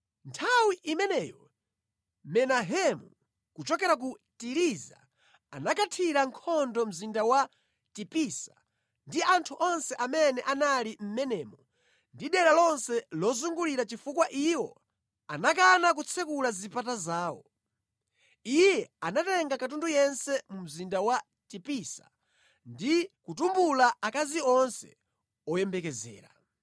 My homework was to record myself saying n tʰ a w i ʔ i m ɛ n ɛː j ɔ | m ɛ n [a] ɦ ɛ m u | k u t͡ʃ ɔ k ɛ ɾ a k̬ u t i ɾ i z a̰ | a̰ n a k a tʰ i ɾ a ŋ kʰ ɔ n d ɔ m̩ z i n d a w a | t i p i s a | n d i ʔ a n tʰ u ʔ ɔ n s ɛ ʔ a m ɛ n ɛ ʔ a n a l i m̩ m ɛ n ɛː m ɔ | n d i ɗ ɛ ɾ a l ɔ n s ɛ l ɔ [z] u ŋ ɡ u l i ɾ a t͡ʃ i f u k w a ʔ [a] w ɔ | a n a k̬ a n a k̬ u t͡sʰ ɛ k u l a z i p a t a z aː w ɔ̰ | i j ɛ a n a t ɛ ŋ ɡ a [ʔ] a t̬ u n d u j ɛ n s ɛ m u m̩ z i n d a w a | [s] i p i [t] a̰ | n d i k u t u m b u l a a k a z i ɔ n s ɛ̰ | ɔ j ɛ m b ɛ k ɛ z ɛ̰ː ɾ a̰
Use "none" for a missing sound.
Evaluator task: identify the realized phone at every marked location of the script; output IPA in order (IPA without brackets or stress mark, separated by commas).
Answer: a, z, i, k, t, s